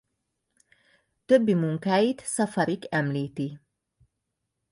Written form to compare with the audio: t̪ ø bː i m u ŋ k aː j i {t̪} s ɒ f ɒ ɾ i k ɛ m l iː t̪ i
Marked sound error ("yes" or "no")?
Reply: no